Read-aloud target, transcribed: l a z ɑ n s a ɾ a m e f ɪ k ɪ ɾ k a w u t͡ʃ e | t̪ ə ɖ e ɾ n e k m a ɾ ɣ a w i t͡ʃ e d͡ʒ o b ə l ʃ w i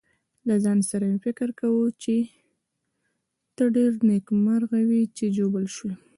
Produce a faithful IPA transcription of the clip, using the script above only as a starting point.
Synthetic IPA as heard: l a z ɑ n s a ɾ a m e f ɪ k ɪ ɾ k a w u t͡ʃ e | t̪ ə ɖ e ɾ n e k m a ɾ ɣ a w i t͡ʃ e d͡ʒ o b ə l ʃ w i